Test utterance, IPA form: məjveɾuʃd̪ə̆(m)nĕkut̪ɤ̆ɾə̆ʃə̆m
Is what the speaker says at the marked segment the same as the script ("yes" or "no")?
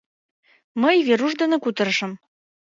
no